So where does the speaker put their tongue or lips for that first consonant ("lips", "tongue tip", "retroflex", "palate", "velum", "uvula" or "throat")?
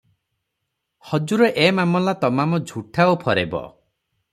throat